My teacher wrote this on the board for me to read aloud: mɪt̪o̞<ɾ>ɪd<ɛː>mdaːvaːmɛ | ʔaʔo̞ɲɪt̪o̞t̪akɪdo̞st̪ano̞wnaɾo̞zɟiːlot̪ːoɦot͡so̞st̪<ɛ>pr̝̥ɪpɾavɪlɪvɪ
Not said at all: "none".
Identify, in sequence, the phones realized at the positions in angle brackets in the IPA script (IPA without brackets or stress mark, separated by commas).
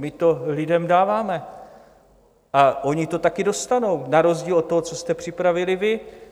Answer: l, ɛ, ɛ